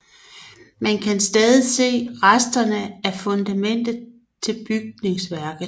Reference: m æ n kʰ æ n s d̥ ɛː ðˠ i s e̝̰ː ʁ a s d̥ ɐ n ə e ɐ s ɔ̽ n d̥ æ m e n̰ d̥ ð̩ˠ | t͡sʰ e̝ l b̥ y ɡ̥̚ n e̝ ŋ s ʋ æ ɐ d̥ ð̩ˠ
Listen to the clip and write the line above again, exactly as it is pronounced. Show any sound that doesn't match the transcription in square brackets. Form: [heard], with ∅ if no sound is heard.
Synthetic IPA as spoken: m æ n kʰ æ n s d̥ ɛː ðˠ i s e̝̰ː ʁ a s d̥ ɐ n ə [æ] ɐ [f] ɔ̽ n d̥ æ m e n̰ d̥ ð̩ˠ | t͡sʰ e̝ l b̥ y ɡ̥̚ n e̝ ŋ s ʋ æ ɐ [ɡ̥] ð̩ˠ